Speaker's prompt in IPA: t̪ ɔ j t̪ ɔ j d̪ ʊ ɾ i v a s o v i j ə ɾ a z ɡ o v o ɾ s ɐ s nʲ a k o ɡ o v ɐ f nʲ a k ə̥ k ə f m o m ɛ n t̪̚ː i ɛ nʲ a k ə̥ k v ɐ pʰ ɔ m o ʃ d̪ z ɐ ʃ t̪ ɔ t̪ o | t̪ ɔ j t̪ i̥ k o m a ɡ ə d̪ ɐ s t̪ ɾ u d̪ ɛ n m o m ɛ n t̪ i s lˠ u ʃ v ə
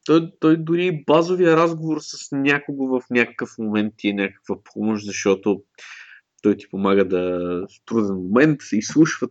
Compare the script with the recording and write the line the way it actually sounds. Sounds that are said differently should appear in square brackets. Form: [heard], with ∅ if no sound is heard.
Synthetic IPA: t̪ ɔ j t̪ ɔ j d̪ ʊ ɾ i [b] a [z] o v i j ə ɾ a z ɡ o v o ɾ s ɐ s nʲ a k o ɡ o v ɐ f nʲ a k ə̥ k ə f m o m ɛ n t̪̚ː i ɛ nʲ a k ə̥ k v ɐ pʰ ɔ m o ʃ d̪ z ɐ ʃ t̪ ɔ t̪ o | t̪ ɔ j t̪ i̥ [p] o m a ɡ ə d̪ ɐ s t̪ ɾ u d̪ ɛ n m o m ɛ n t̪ i s lˠ u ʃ v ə